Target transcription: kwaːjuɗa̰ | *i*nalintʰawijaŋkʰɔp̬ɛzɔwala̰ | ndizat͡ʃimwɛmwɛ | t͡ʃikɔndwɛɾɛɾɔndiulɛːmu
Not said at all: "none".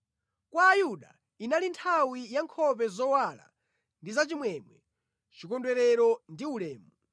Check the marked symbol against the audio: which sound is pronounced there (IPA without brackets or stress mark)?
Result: i